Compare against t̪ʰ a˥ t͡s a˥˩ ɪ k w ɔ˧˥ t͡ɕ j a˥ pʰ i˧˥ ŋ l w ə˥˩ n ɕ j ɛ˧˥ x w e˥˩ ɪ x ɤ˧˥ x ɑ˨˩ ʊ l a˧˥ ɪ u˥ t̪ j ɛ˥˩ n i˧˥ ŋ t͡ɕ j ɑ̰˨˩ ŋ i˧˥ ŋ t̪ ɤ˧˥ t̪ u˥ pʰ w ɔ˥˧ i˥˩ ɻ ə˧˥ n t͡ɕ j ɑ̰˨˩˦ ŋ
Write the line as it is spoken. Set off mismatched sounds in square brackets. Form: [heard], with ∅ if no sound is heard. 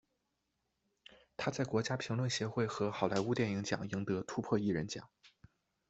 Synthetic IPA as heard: t̪ʰ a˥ t͡s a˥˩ ɪ k w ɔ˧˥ t͡ɕ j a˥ pʰ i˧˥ ŋ l w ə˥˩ n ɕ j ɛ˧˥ x w e˥˩ ɪ x ɤ˧˥ x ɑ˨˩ ʊ l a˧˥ ɪ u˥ t̪ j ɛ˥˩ n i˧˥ ŋ t͡ɕ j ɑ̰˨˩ ŋ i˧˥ ŋ t̪ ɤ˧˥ [t̪ʰ] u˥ pʰ w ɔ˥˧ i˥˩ ɻ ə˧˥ n t͡ɕ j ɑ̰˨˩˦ ŋ